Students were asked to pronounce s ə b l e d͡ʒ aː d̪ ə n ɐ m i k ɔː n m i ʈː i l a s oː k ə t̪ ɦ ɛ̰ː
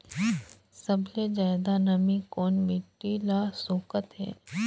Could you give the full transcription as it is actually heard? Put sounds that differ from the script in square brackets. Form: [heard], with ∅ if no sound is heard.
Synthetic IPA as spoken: s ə b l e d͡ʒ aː d̪ [a] n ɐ m i k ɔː n m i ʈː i l a s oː k ə t̪ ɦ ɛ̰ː